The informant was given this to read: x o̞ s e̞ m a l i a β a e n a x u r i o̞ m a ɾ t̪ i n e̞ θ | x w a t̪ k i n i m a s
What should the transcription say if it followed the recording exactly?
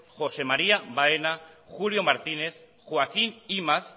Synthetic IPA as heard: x o̞ s e̞ m a ɾ i a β a e n a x u l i o̞ m a ɾ t̪ i n e̞ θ | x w a k i n i m a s